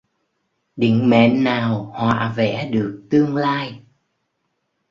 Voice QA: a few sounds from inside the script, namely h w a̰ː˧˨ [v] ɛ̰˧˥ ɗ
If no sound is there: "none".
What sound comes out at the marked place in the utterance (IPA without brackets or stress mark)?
v